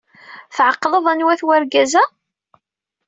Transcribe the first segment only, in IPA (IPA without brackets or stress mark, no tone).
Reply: θ